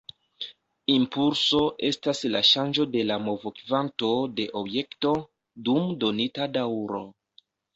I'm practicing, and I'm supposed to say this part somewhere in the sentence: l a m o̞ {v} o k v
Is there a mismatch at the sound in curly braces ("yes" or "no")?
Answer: no